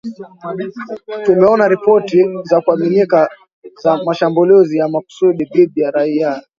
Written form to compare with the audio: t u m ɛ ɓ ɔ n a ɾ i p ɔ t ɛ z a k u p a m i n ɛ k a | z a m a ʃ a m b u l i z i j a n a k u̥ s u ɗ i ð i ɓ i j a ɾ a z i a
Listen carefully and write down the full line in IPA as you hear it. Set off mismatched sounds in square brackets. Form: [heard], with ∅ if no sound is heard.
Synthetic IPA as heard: t u m ɛ [∅] ɔ n a ɾ i p ɔ t [i] z a k u [∅] a m i n [i] k a | z a m a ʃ a m b u l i z i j a [m] a k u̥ s u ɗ i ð i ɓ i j a ɾ a [∅] i a